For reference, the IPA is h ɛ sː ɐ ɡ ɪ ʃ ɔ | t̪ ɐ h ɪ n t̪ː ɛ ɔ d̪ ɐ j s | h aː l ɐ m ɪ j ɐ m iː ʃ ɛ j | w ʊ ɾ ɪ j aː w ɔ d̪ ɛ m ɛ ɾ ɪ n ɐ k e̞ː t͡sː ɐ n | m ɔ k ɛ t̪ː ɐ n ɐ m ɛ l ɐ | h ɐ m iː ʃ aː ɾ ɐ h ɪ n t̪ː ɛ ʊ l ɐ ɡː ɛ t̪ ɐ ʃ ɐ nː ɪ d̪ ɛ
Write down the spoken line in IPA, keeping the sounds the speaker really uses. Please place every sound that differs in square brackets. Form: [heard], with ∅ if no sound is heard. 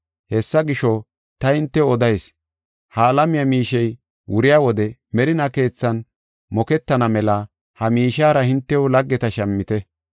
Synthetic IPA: h ɛ sː ɐ ɡ ɪ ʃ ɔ | t̪ ɐ h ɪ n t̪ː ɛ ɔ d̪ ɐ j s | h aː l ɐ m ɪ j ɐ m iː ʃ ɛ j | w ʊ ɾ ɪ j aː w ɔ d̪ ɛ m ɛ ɾ ɪ n ɐ k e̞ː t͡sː ɐ n | m ɔ k ɛ t̪ː ɐ n ɐ m ɛ l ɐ | h ɐ m iː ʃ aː ɾ ɐ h ɪ n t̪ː ɛ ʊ l ɐ ɡː ɛ t̪ ɐ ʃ ɐ [mː] ɪ [t̪] ɛ